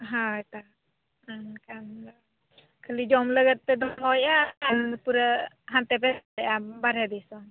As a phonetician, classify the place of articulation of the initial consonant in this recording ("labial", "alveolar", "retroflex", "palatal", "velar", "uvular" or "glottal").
glottal